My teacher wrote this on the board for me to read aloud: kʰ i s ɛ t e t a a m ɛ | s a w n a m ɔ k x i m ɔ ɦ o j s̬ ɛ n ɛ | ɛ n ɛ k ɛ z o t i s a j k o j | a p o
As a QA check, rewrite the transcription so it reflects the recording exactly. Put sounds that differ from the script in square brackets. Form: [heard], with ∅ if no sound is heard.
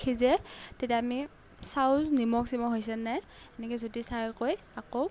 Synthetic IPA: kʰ i [z] ɛ t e t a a m [i] | s a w n [i] m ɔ k [s] i m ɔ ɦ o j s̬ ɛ n ɛ | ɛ n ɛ k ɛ z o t i s a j k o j | a [k] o